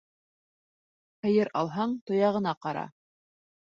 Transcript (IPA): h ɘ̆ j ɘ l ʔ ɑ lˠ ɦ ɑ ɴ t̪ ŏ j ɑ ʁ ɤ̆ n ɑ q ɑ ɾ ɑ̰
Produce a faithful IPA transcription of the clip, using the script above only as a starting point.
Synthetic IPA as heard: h ɘ̆ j ɘ ɾ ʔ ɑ lˠ ɦ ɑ ɴ t̪ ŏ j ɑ ʁ ɤ̆ n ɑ q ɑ ɾ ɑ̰